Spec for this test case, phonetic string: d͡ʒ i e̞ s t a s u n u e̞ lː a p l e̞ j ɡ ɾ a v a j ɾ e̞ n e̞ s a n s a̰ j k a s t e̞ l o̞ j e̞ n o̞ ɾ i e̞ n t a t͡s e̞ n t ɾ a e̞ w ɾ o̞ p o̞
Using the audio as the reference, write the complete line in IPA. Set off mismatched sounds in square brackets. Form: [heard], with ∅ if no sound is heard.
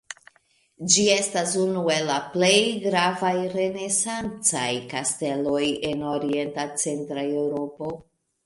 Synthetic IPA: d͡ʒ i e̞ s t a s u n u e̞ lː a p l e̞ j ɡ ɾ a v a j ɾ e̞ n e̞ s a n [t͡s] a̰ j k a s t e̞ l o̞ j e̞ n o̞ ɾ i e̞ n t a t͡s e̞ n t ɾ a e̞ w ɾ o̞ p o̞